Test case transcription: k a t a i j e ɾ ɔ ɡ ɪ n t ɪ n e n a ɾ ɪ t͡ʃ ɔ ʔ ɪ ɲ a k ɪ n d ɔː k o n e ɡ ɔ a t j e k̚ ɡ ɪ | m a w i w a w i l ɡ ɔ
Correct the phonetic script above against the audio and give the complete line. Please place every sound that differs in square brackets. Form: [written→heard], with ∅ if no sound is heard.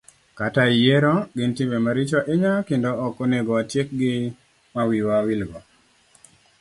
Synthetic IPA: k a t a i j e ɾ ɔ ɡ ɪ n t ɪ [n→m] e [n→m] a ɾ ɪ t͡ʃ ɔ ʔ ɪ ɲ a k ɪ n d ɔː k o n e ɡ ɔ a t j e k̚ ɡ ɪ | m a w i w a w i l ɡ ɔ